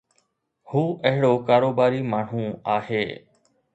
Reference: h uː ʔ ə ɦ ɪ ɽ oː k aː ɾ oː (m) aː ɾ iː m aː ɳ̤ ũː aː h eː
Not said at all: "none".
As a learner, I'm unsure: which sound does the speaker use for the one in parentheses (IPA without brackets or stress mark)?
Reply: b